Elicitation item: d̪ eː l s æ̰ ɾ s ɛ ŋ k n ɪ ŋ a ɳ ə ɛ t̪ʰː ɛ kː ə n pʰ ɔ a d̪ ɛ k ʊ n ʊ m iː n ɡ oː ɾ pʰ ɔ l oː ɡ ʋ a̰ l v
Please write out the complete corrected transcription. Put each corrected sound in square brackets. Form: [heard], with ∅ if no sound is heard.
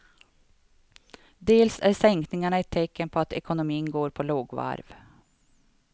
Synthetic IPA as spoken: d̪ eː l s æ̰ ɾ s ɛ ŋ k n ɪ ŋ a ɳ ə ɛ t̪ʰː ɛ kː ə n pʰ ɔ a [t̪] ɛ k ʊ n ʊ m iː n ɡ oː ɾ pʰ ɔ l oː ɡ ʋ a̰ [ɾ] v